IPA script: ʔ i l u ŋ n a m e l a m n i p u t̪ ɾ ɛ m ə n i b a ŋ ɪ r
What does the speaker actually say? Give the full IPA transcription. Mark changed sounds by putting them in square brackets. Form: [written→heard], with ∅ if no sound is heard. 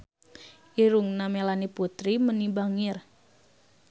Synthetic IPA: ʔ i [l→ɾ] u ŋ n a m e l a [m→∅] n i p u t̪ ɾ [ɛ→i] m ə n i b a ŋ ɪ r